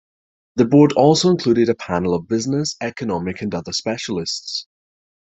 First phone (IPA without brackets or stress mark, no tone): ð